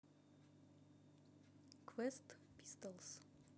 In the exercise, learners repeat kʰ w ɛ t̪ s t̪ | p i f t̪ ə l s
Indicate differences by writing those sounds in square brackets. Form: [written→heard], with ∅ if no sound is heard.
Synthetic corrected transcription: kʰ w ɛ [t̪→∅] s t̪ | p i [f→s] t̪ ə l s

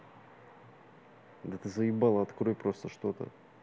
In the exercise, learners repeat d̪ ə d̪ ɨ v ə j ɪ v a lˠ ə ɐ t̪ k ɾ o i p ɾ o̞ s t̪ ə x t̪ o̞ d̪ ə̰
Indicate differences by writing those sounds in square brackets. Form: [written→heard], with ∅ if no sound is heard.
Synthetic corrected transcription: d̪ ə [d̪→t̪] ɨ [v→z] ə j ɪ [v→b] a lˠ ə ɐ t̪ k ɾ o [i→j] p ɾ o̞ s t̪ ə [x→ʂ] t̪ o̞ [d̪→t̪] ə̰

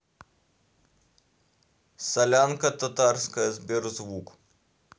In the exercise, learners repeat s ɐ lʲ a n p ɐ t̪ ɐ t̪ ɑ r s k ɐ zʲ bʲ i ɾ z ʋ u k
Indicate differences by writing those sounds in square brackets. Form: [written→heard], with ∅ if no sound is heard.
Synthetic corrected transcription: s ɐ lʲ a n [p→k] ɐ t̪ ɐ t̪ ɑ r s k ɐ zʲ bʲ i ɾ z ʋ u k

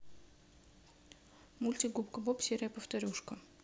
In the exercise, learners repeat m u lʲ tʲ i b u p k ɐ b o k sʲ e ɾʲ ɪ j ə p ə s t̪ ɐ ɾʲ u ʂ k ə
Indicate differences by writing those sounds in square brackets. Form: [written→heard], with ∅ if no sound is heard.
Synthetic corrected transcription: m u lʲ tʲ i [b→ɡ] u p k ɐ b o [k→p] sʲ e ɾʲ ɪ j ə p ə [s→f] t̪ ɐ ɾʲ u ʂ k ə

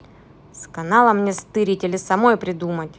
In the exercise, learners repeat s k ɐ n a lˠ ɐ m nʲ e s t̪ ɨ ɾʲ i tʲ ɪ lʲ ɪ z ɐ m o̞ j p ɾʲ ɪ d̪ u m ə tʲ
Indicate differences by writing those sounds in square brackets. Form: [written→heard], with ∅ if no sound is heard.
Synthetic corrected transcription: s k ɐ n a lˠ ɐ m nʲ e s t̪ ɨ ɾʲ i tʲ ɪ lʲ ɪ [z→s] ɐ m o̞ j p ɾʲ ɪ d̪ u m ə tʲ

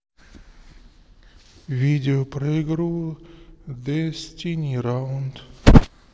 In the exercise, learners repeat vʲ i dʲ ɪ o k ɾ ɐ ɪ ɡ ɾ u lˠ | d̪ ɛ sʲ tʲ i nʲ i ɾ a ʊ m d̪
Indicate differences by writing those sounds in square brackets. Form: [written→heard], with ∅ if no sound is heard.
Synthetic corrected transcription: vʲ i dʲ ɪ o [k→p] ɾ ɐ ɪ ɡ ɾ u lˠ | d̪ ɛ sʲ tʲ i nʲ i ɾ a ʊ [m→n] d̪

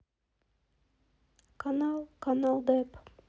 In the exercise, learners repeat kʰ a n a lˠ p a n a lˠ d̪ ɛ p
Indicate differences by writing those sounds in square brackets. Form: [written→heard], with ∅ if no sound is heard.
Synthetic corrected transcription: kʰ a n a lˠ [p→k] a n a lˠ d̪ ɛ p

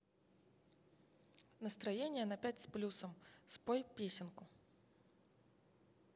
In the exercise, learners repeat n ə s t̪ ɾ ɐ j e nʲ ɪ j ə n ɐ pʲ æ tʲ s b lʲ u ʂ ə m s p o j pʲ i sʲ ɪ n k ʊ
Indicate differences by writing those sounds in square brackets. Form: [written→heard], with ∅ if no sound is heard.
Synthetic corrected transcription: n ə s t̪ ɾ ɐ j e nʲ ɪ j ə n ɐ pʲ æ tʲ s [b→p] lʲ u [ʂ→s] ə m s p o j pʲ [i→e] sʲ ɪ n k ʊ

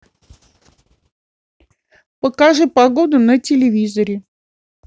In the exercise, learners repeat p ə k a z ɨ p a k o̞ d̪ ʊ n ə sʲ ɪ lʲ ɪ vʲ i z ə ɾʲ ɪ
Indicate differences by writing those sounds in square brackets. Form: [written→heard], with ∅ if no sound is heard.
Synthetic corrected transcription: p ə k a [z→ʐ] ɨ p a [k→ɡ] o̞ d̪ ʊ n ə [sʲ→tʲ] ɪ lʲ ɪ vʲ i z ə ɾʲ ɪ

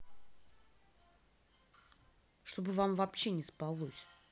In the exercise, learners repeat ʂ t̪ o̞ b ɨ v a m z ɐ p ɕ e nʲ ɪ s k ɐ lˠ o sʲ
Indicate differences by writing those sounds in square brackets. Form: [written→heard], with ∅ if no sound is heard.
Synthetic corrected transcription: ʂ t̪ o̞ b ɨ v a m [z→v] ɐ p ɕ e nʲ ɪ s [k→p] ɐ lˠ o sʲ

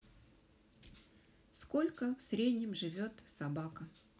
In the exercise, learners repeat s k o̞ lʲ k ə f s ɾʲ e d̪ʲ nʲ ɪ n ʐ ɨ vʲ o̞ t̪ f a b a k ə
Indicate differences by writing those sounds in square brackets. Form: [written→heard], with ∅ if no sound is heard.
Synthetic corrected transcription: s k o̞ lʲ k ə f s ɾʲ e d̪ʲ nʲ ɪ [n→m] ʐ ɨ vʲ o̞ t̪ [f→s] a b a k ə

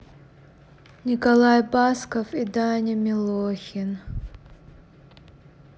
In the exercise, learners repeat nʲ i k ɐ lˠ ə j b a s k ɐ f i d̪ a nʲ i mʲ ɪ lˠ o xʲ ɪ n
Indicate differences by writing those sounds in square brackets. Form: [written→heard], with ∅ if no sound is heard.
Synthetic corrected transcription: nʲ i k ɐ lˠ [ə→a] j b a s k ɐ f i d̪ a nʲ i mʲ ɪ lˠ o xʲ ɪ n

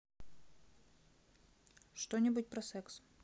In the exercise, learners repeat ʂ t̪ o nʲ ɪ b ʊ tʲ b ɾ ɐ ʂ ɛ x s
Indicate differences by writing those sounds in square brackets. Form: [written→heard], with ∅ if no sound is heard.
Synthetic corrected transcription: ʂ t̪ o nʲ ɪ b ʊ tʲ [b→p] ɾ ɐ [ʂ→s] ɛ [x→k] s

